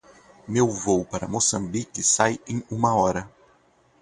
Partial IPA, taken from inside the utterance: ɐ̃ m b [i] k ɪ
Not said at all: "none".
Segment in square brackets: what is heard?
i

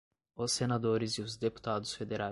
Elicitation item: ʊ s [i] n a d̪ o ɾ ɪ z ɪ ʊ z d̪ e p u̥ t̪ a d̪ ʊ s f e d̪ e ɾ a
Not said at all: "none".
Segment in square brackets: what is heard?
e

